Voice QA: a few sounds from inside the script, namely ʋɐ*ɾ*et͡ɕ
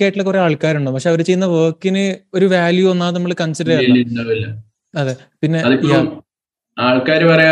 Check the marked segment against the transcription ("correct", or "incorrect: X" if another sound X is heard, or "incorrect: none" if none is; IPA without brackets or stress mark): correct